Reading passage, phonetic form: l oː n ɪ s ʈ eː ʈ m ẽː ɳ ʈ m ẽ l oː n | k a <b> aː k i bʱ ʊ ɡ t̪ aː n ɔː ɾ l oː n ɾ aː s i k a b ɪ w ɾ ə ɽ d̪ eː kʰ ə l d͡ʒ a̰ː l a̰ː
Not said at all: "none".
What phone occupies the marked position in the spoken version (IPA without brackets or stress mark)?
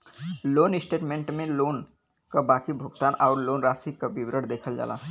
b